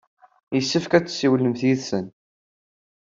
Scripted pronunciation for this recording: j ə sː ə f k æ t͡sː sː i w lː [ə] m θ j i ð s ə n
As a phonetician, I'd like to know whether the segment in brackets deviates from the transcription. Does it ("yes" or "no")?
no